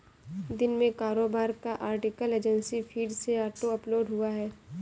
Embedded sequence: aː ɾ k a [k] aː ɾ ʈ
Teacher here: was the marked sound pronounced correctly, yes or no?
no